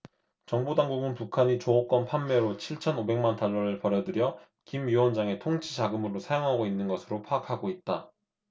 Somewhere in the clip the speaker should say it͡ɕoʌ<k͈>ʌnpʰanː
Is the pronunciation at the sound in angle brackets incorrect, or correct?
correct